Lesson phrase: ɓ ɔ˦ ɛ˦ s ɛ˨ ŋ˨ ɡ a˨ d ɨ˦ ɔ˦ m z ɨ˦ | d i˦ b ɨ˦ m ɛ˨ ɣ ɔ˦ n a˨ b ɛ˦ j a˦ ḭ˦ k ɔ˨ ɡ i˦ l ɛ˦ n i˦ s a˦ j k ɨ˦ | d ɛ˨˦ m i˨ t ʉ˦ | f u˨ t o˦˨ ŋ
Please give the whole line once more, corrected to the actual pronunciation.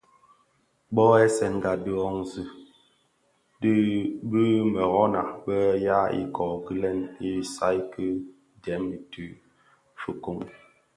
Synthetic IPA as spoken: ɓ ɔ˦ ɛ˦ s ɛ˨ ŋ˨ ɡ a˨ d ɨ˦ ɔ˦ ŋ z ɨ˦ | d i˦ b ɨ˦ m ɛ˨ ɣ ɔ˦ n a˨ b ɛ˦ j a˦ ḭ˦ k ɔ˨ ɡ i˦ l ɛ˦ n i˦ s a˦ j k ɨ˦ | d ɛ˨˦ m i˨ t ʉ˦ | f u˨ k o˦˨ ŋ